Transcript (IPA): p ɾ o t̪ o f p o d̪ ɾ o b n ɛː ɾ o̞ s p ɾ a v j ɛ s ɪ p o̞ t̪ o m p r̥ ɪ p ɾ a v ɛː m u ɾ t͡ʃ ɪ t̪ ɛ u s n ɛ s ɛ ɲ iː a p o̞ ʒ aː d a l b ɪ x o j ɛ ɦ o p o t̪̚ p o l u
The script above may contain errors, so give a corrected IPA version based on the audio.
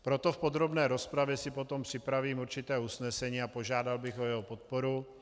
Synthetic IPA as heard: p ɾ o t̪ o f p o d̪ ɾ o b n ɛː ɾ o̞ s p ɾ a v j ɛ s ɪ p o̞ t̪ o m p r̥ ɪ p ɾ a v iː m u ɾ t͡ʃ ɪ t̪ ɛː u s n ɛ s ɛ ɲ iː a p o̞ ʒ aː d a l b ɪ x o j ɛ ɦ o p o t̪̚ p o ɾ u